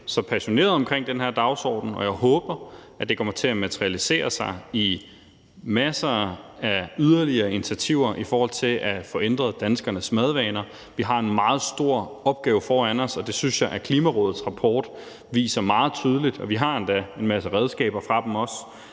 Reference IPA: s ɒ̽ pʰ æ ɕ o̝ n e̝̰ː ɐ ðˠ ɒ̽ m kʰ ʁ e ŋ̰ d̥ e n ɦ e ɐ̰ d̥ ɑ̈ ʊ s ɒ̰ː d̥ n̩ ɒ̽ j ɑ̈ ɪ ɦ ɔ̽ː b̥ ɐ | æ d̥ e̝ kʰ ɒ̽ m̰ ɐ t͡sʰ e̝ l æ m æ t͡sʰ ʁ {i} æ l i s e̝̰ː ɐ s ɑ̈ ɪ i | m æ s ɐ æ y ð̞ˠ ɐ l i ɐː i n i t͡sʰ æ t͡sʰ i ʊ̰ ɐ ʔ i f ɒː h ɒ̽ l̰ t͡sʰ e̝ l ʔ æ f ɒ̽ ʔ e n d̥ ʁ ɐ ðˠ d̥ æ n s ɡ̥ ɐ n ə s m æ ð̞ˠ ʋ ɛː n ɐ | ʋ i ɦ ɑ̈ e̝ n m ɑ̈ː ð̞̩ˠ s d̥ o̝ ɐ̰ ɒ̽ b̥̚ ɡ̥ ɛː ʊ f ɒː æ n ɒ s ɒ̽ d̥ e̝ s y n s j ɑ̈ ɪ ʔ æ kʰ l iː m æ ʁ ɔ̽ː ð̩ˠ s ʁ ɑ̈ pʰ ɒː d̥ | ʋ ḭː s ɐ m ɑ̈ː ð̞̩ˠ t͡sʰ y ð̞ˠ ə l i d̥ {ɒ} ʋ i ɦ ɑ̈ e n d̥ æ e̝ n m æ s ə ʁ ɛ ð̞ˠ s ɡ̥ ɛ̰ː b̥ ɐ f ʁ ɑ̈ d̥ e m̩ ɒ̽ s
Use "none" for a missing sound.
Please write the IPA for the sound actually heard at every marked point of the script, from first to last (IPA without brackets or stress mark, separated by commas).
i, ɒ